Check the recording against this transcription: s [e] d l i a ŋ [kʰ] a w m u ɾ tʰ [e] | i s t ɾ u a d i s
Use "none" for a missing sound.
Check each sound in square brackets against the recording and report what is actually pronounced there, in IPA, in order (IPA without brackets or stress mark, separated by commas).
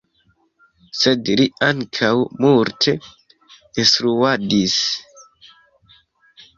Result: e, kʰ, e